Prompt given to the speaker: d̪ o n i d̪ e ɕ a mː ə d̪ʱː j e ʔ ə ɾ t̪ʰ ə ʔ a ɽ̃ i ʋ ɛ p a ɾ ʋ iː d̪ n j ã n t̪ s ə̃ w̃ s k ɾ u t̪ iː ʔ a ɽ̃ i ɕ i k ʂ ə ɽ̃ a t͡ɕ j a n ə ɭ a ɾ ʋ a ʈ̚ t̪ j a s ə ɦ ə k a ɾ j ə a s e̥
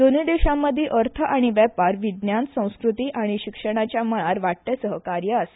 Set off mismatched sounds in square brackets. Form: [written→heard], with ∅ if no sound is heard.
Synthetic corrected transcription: d̪ o n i d̪ e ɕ a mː ə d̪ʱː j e ʔ ə ɾ t̪ʰ ə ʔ a ɽ̃ i ʋ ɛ p a ɾ ʋ [iː→i] d̪ n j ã n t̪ s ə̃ w̃ s k ɾ u t̪ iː ʔ a ɽ̃ i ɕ i k ʂ ə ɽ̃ a t͡ɕ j a [n→m] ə ɭ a ɾ ʋ a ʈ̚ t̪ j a s ə ɦ ə k a ɾ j ə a s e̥